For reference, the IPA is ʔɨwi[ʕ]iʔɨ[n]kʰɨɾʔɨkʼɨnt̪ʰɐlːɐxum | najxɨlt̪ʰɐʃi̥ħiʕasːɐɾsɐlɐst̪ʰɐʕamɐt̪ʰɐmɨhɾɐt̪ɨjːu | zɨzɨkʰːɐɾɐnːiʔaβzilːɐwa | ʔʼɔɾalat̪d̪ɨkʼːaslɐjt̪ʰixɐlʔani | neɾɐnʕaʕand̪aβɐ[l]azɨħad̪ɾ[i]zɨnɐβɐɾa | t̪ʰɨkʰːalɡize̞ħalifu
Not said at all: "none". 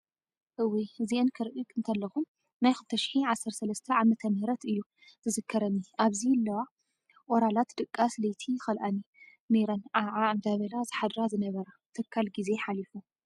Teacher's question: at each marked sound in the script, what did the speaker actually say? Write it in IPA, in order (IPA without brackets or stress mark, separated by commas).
z, n, l, a